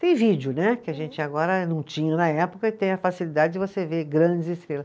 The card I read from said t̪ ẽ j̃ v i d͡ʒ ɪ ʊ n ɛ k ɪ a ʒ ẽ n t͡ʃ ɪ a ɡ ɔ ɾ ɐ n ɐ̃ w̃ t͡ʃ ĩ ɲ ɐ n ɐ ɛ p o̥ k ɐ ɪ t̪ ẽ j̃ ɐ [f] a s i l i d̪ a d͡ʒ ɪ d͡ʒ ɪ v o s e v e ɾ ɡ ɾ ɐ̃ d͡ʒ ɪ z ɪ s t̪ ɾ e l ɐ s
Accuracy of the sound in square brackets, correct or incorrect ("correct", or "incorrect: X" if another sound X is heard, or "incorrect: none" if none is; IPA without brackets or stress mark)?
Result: correct